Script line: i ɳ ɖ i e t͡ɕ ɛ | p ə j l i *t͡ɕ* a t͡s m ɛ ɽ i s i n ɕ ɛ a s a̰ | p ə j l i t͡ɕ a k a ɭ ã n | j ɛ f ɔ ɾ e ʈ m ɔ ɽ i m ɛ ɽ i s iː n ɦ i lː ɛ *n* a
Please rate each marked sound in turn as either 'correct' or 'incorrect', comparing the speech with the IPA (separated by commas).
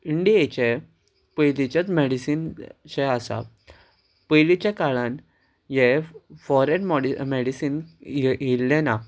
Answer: correct, correct